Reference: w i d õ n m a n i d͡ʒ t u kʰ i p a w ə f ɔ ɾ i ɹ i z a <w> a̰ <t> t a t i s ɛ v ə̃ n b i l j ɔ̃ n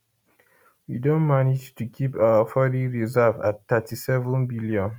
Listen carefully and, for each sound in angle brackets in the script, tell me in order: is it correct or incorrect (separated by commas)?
incorrect, correct